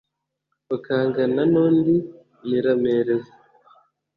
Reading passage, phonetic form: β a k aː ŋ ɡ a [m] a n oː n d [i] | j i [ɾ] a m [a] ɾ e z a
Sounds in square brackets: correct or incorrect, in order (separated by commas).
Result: incorrect, correct, correct, incorrect